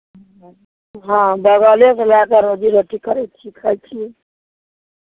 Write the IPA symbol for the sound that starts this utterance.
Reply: ɦ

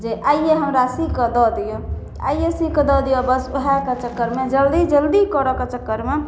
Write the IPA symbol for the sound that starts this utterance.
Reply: d͡ʒ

